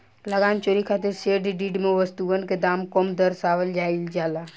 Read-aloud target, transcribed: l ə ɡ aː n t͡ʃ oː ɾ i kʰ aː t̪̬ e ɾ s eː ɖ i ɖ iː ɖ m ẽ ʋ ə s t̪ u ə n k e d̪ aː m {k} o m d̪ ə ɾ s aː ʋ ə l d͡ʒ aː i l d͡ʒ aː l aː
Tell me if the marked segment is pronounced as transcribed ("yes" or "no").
yes